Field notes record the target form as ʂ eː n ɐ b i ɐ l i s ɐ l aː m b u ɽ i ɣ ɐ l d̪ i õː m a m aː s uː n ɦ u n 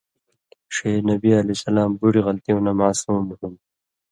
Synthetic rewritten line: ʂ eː n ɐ b i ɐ l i s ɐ l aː m b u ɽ i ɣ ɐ l t̪ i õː n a m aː s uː m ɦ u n